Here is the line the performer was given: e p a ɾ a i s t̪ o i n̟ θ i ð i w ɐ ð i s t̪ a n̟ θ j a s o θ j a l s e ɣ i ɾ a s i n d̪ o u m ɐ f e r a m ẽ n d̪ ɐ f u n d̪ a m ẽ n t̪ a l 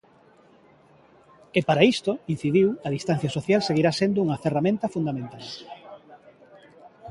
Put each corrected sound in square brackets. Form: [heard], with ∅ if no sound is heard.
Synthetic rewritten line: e p a ɾ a i s t̪ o i n̟ θ i ð i w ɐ ð i s t̪ a n̟ θ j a s o θ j a l s e ɣ i ɾ a s [e] n d̪ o u [ŋ] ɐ f e r a m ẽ n [t̪] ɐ f u n d̪ a m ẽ n t̪ a l

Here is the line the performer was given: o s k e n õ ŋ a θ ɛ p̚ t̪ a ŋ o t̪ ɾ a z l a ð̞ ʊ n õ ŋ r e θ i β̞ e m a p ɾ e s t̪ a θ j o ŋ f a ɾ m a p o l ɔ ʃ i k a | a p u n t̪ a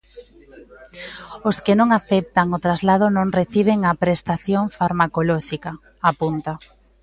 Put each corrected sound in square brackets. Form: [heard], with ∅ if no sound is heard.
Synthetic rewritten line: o s k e n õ ŋ a θ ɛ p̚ t̪ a ŋ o t̪ ɾ a z l a ð̞ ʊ n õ ŋ r e θ i β̞ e [ŋ] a p ɾ e s t̪ a θ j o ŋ f a ɾ m a [k] o l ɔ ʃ i k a | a p u n t̪ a

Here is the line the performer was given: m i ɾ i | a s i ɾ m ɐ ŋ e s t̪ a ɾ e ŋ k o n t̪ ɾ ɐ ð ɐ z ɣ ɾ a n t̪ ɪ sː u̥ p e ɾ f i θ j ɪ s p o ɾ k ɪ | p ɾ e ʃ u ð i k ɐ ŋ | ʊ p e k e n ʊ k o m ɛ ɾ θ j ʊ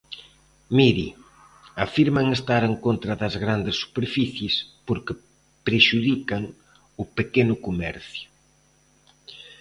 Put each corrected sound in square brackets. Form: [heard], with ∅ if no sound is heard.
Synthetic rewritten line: m i ɾ i | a [f] i ɾ m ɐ ŋ e s t̪ a ɾ e ŋ k o n t̪ ɾ ɐ ð ɐ z ɣ ɾ a n [d̪] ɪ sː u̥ p e ɾ f i θ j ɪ s p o ɾ k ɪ | p ɾ e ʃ u ð i k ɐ ŋ | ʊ p e k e n ʊ k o m ɛ ɾ θ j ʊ

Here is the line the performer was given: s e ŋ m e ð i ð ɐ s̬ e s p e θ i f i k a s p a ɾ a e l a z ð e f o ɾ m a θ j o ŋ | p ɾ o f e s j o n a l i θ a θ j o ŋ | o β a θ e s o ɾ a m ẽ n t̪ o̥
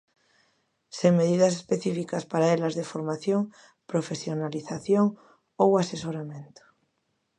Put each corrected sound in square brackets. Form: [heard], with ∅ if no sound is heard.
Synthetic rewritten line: s e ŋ m e ð i ð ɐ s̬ e s p e θ i f i k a s p a ɾ a e l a z ð e f o ɾ m a θ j o ŋ | p ɾ o f e s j o n a l i θ a θ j o ŋ | o [w] a [s] e s o ɾ a m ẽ n t̪ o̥

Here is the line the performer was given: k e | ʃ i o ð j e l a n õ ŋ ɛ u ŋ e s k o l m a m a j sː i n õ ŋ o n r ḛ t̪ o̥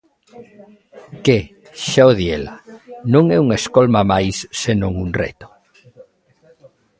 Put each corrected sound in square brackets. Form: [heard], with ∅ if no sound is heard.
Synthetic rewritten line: k e | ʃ [a] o ð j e l a n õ ŋ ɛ u ŋ e s k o l m a m a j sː [e] n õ ŋ [u] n r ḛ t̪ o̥

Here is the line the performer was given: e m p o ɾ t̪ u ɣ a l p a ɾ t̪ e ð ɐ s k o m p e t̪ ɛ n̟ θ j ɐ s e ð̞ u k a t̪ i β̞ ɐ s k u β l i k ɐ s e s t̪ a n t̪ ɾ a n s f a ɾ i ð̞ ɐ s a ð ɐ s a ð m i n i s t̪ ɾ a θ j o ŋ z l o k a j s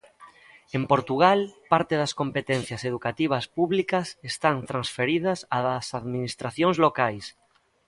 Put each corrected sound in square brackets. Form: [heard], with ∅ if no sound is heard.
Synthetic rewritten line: e m p o ɾ t̪ u ɣ a l p a ɾ t̪ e ð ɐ s k o m p e t̪ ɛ n̟ θ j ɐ s e ð̞ u k a t̪ i β̞ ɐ s [p] u β l i k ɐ s e s t̪ a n t̪ ɾ a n s f [e] ɾ i ð̞ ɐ s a ð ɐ s a ð m i n i s t̪ ɾ a θ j o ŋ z l o k a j s

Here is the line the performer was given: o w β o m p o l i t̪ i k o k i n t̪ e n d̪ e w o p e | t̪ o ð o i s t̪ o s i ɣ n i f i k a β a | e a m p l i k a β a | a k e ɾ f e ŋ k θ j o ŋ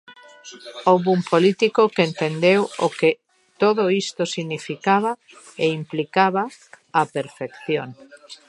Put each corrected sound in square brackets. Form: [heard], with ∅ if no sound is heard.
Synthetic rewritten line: o w β [u] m p o l i t̪ i k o k [e] n t̪ e n d̪ e w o [k] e | t̪ o ð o i s t̪ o s i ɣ n i f i k a β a | e [i] m p l i k a β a | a [p] e ɾ f e [∅] k θ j o ŋ

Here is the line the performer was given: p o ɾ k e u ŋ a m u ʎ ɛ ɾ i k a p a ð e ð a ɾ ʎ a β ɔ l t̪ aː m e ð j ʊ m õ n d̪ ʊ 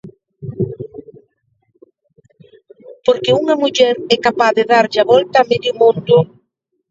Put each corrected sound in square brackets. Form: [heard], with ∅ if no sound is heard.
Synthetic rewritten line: p o ɾ k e u ŋ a m u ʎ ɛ ɾ [ɛ] k a p a ð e ð a ɾ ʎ a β ɔ l t̪ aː m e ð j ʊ m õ n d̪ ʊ

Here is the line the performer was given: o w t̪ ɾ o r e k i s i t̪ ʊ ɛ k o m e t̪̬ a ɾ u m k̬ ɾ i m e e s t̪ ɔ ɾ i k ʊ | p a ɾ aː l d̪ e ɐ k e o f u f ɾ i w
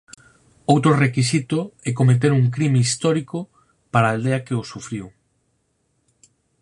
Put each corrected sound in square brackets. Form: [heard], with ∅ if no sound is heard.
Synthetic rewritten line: o w t̪ ɾ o r e k i s i t̪ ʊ ɛ k o m e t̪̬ [e] ɾ u [ŋ] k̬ ɾ i m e [i] s t̪ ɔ ɾ i k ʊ | p a ɾ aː l d̪ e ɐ k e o [s] u f ɾ i w

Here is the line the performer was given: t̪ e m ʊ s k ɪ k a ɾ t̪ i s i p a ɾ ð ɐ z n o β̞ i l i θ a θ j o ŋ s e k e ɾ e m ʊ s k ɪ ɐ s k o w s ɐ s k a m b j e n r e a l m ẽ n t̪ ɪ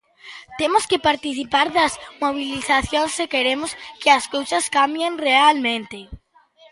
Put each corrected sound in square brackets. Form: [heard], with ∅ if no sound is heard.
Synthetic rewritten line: t̪ e m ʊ s k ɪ [p] a ɾ t̪ i [θ] i p a ɾ ð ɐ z [m] o β̞ i l i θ a θ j o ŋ s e k e ɾ e m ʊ s k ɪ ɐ s k o w s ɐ s k a m b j e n r e a l m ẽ n t̪ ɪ

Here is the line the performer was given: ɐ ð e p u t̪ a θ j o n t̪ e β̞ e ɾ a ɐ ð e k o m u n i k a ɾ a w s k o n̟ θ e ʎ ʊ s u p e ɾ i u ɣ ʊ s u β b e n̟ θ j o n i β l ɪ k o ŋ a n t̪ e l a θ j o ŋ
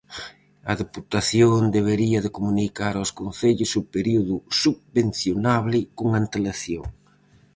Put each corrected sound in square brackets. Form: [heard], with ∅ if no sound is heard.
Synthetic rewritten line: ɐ ð e p u t̪ a θ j o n [d̪] e β̞ e ɾ [i] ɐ ð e k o m u n i k a ɾ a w s k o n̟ θ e ʎ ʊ s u p e ɾ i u [ð] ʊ s u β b e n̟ θ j o n [a] β l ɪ k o ŋ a n t̪ e l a θ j o ŋ

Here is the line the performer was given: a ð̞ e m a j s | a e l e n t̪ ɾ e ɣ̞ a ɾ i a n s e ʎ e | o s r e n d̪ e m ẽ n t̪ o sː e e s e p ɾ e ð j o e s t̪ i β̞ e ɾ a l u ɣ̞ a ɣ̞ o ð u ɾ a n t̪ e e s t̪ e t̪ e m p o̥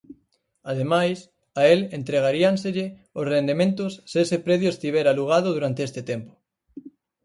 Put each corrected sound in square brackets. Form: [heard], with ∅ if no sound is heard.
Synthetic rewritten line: a ð̞ e m a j s | a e l e n t̪ ɾ e ɣ̞ a ɾ i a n s e ʎ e | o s r e n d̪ e m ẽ n t̪ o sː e e s e p ɾ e ð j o e s t̪ i β̞ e ɾ a l u ɣ̞ a [ð̞] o ð u ɾ a n t̪ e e s t̪ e t̪ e m p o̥

